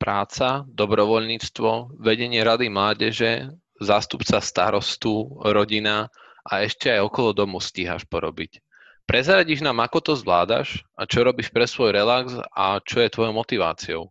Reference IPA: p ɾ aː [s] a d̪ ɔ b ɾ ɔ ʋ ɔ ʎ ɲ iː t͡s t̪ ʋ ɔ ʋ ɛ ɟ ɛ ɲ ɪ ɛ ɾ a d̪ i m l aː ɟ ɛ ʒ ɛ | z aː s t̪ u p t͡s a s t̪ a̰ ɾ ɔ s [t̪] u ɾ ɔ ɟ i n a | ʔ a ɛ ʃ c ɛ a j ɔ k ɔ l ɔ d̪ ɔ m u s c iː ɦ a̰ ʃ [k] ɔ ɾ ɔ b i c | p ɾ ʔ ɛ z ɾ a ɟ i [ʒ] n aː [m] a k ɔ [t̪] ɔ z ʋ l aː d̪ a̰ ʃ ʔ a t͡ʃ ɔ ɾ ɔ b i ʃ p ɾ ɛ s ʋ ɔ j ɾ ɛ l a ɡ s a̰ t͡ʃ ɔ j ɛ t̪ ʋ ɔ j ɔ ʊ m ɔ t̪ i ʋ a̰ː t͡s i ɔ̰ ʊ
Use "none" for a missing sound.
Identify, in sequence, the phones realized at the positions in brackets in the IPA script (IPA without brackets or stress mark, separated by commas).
t͡s, t̪, p, ʒ, m, t̪